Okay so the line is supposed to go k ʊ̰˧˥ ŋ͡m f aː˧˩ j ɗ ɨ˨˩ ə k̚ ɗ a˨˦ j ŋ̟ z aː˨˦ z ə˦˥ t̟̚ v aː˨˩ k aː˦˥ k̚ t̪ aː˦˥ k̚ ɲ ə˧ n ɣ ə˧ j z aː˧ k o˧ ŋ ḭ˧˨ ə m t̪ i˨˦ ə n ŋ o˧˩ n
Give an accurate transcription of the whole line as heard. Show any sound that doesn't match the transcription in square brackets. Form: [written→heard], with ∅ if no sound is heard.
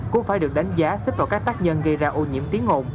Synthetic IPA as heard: k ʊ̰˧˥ ŋ͡m f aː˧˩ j ɗ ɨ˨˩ ə k̚ ɗ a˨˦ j ŋ̟ z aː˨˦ [z→s] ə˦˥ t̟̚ v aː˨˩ k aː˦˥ k̚ t̪ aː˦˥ k̚ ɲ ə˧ n ɣ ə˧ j z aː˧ [k→ʔ] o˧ [ŋ→ɲ] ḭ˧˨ ə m t̪ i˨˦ ə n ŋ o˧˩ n